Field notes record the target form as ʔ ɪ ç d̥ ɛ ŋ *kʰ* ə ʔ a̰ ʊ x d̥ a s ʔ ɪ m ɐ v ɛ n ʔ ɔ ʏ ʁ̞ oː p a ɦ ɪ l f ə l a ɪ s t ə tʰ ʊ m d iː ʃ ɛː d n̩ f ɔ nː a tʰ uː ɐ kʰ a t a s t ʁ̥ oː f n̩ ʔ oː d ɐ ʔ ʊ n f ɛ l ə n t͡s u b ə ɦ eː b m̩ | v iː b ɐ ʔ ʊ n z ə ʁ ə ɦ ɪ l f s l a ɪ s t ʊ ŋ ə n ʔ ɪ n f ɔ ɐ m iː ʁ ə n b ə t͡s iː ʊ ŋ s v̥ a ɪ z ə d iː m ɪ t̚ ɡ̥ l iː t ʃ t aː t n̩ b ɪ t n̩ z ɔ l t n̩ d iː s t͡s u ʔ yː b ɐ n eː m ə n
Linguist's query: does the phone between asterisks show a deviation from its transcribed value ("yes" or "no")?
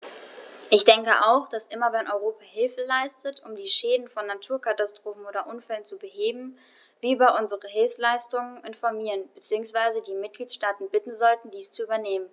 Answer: yes